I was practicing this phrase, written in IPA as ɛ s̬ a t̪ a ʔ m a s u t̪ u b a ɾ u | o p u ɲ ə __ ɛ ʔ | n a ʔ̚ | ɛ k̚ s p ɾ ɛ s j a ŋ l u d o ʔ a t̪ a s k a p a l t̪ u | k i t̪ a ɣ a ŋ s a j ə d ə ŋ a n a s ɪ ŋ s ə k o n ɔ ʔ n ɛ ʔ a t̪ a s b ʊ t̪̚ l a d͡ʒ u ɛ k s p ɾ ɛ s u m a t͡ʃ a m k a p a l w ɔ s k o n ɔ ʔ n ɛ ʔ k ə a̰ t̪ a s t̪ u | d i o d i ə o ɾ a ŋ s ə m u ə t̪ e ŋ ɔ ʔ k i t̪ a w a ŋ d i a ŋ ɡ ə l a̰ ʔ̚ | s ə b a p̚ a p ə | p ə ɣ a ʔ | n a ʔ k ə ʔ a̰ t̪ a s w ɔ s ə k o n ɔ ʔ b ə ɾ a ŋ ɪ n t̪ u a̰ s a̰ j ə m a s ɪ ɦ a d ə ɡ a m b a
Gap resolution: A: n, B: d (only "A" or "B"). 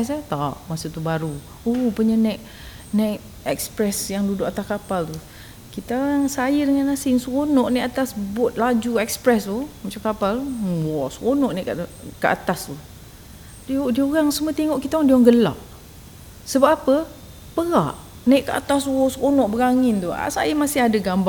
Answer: A